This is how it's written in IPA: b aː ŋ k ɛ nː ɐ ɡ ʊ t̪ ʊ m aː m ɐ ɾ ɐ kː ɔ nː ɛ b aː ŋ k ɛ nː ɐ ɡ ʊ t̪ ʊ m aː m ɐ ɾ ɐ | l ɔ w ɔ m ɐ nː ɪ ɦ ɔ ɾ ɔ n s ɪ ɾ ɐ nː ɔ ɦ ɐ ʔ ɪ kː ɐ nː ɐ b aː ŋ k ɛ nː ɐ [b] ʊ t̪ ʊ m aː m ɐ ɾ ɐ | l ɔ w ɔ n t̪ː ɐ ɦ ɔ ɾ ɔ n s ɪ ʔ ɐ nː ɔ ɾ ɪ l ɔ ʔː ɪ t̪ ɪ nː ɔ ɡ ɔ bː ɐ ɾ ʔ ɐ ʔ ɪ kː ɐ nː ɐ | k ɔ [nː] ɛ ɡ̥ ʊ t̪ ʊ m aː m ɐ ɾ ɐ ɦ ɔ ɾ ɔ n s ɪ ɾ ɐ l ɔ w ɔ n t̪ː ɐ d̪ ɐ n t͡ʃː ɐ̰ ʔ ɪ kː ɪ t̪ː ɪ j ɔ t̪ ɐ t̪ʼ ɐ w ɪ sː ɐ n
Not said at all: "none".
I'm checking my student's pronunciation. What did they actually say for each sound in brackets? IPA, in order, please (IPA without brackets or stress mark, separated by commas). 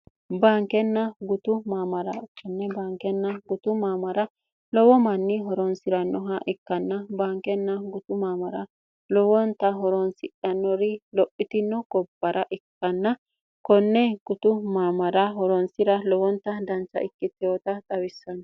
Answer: ɡ, nː